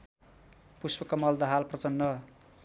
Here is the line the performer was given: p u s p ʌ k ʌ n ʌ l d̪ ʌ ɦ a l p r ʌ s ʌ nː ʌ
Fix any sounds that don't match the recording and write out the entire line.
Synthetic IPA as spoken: p u s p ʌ k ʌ m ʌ l d̪ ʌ ɦ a l p r ʌ t͡s ʌ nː ʌ

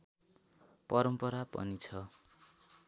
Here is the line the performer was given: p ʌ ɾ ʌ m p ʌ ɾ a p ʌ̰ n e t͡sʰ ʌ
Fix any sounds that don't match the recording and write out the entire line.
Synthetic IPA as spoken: p ʌ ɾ ʌ m p ʌ ɾ a p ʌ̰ n i t͡sʰ ʌ

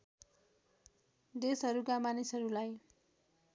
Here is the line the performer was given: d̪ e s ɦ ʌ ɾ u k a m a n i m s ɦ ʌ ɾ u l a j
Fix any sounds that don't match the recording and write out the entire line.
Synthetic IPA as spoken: d̪ e s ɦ ʌ ɾ u k a m a n i s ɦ ʌ ɾ u l a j

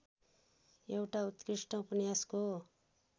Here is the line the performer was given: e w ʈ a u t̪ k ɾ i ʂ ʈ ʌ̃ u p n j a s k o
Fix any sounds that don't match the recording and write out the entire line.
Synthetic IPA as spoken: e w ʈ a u t̪ k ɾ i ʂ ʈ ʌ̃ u p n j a s k o

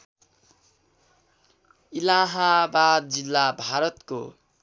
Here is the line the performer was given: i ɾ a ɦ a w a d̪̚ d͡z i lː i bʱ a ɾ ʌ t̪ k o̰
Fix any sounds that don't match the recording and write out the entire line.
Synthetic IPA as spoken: i l a ɦ a b a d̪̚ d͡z i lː a bʱ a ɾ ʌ t̪ k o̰

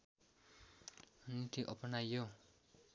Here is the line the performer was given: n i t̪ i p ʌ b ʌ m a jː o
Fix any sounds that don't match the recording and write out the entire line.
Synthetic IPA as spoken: n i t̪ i ʔ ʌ p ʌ n a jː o

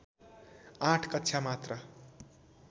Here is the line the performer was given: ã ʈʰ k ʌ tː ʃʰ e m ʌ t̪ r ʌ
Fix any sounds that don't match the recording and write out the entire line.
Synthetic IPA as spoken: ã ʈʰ k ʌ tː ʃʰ a m a t̪ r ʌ

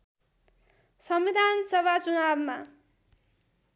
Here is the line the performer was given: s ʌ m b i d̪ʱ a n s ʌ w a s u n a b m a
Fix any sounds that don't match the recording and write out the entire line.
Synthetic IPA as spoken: s ʌ m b i d̪ʱ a n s ʌ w a t͡s u n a b m a

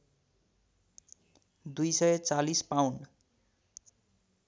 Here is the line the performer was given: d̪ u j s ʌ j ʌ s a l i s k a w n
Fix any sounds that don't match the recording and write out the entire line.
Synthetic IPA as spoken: d̪ u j s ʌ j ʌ t͡s a l i s p a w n

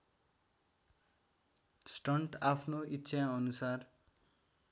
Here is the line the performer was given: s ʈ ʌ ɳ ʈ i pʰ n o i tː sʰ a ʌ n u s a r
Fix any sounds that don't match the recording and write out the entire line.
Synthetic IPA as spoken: s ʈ ʌ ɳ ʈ a pʰ n o i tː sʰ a ʌ n u s a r

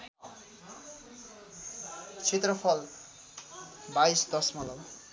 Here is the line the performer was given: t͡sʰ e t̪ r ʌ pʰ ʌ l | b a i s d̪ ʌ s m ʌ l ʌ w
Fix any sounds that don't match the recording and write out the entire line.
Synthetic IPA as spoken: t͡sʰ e t̪ r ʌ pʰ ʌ l | b a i s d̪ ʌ s m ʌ l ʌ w

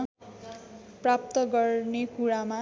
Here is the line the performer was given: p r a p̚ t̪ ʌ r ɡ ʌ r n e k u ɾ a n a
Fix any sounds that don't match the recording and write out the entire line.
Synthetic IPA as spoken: p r a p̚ t̪ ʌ ɡ ʌ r n e k u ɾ a m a

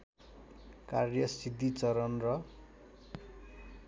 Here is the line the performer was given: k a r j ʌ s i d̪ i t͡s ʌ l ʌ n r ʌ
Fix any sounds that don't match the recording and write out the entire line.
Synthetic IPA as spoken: k a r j ʌ s i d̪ i t͡s ʌ ɾ ʌ n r ʌ

